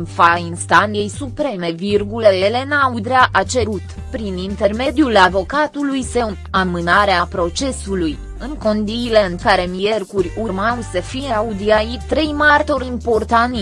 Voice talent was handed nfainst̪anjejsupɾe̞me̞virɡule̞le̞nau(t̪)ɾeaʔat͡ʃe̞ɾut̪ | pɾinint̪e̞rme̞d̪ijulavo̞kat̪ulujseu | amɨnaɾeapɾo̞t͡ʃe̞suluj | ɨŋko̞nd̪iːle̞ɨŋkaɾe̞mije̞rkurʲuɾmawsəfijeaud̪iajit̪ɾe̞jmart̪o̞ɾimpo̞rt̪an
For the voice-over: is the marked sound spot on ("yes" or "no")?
no